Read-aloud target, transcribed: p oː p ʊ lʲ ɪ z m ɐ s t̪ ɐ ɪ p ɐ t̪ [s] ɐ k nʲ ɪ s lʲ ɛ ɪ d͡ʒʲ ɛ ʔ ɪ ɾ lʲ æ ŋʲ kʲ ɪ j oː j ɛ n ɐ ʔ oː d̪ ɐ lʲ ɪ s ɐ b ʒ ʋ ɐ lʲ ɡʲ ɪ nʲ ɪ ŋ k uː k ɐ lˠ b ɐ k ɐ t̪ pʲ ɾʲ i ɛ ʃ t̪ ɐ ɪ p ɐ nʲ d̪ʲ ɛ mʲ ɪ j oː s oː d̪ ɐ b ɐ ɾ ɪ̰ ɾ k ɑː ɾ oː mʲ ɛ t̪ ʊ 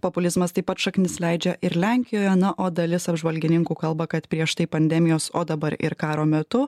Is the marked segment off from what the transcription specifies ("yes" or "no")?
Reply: yes